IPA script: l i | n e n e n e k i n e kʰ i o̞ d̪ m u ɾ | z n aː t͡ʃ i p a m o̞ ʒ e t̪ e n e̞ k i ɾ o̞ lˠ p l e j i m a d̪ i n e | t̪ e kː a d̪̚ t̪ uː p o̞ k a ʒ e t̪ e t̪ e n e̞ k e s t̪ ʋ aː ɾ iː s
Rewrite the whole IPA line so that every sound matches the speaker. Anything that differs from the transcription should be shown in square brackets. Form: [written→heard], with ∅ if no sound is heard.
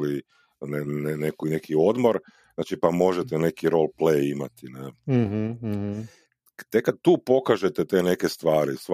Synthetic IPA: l i | n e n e n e k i n e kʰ i o̞ d̪ m [u→o] ɾ | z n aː t͡ʃ i p a m o̞ ʒ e t̪ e n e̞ k i ɾ o̞ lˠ p l e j i m a [d̪→t̪] i n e | t̪ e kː a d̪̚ t̪ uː p o̞ k a ʒ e t̪ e t̪ e n e̞ k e s t̪ ʋ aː ɾ [iː→i] s